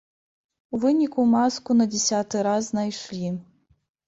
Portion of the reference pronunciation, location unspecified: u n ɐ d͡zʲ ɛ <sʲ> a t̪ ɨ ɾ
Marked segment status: correct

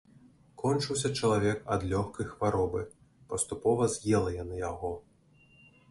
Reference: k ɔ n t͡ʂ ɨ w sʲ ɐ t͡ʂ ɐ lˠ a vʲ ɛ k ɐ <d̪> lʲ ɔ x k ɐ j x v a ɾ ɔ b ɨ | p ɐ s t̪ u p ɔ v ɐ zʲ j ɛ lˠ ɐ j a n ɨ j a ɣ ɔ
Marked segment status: correct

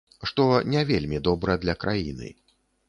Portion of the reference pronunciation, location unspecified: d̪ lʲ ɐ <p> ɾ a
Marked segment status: incorrect: k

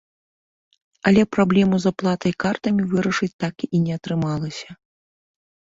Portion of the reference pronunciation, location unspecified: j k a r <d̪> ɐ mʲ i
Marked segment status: incorrect: t̪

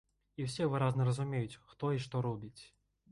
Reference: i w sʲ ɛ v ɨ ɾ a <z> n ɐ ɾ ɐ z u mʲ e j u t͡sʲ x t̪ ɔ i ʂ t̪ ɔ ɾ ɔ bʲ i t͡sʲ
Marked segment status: correct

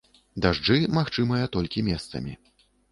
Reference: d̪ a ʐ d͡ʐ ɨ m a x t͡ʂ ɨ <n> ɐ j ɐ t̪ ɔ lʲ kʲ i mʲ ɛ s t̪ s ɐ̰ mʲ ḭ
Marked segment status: incorrect: m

